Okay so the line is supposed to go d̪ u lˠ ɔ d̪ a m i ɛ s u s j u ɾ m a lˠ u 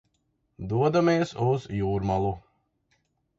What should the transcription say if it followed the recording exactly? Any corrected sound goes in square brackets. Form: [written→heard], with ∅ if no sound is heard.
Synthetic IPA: d̪ u [lˠ→∅] ɔ d̪ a m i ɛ s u [s→z] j [u→uː] ɾ m a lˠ u

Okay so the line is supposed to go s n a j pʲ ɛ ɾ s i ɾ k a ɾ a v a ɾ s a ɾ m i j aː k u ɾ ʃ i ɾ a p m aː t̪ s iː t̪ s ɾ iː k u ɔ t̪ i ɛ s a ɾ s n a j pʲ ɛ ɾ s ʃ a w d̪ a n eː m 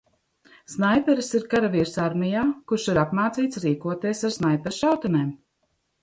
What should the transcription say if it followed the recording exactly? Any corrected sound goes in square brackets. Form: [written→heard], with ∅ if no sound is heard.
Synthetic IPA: s n a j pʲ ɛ ɾ s i ɾ k a ɾ a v [a→i] ɾ s a ɾ m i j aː k u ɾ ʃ i ɾ a p m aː t̪ s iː t̪ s ɾ iː k u ɔ t̪ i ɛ s a ɾ s n a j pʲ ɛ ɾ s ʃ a w [d̪→t̪] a n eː m

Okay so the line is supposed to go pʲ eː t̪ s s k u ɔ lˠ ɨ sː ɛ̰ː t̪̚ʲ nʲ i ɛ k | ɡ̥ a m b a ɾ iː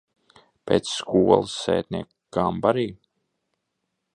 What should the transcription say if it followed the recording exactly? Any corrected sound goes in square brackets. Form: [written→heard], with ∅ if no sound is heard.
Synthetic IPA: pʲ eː t̪ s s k u ɔ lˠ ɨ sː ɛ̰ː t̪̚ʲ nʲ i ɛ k | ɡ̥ a m b a ɾ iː

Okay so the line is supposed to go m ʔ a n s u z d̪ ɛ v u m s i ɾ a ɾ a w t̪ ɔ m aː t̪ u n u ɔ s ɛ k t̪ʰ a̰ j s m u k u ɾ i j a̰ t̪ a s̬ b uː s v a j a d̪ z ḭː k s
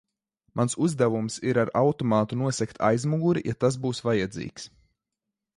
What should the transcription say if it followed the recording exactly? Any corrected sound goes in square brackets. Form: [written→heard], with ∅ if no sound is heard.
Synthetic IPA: m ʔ a n s u z d̪ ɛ v u m s i ɾ a ɾ a w t̪ ɔ m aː t̪ u n u ɔ s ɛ k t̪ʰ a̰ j [s→z] m u [k→ɡ] u ɾ i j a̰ t̪ a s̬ b uː s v a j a d̪ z ḭː k s

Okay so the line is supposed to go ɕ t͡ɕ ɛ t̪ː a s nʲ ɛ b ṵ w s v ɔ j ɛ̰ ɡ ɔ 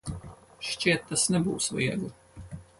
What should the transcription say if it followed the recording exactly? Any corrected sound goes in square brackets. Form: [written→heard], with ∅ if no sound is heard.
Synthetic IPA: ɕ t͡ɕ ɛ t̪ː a s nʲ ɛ b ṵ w s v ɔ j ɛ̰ ɡ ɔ

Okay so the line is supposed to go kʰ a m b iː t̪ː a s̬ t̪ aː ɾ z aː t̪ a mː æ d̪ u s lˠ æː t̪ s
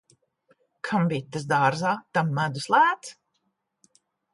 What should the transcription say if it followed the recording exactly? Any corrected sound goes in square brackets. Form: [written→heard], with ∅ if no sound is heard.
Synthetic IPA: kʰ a m b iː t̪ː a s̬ [t̪→d̪] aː ɾ z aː t̪ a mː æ d̪ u s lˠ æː t̪ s

